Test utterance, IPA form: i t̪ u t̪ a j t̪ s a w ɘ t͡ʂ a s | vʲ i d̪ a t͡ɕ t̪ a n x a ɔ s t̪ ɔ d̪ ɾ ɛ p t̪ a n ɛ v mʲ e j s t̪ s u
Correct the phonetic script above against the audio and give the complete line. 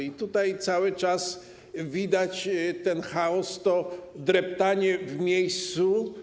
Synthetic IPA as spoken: i t̪ u t̪ a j t̪ s a w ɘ t͡ʂ a s | vʲ i d̪ a t͡ɕ t̪ ɛ n x a ɔ s t̪ ɔ d̪ ɾ ɛ p t̪ a ɲ ɛ v mʲ e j s t̪ s u